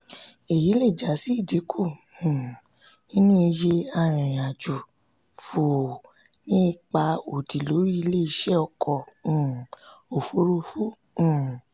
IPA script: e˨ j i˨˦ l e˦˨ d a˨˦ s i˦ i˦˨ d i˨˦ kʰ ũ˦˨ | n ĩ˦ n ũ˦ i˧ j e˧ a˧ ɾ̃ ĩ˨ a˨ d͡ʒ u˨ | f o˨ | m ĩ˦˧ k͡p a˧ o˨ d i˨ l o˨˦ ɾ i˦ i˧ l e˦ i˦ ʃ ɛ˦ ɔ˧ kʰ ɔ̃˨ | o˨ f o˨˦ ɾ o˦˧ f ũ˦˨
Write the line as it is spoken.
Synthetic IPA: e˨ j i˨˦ l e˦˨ d͡ʒ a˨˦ s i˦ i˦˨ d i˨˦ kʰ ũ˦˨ | n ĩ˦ n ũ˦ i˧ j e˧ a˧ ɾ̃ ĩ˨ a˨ d͡ʒ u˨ | f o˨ | n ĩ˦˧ k͡p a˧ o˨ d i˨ l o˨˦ ɾ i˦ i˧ l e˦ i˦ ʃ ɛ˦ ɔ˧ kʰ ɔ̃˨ | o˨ f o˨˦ ɾ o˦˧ f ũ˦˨